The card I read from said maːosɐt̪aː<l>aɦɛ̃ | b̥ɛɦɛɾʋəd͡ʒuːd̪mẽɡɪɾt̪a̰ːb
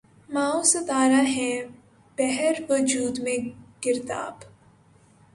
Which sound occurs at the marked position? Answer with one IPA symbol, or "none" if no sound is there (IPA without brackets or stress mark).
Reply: ɾ